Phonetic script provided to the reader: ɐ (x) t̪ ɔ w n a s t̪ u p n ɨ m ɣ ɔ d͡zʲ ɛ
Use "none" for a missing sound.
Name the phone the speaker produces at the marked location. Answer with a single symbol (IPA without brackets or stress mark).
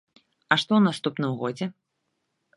ʂ